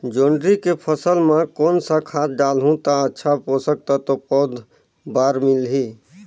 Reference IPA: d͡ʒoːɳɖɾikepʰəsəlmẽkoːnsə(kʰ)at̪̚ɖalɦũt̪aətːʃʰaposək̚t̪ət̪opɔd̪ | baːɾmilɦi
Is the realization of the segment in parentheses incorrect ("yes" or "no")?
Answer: no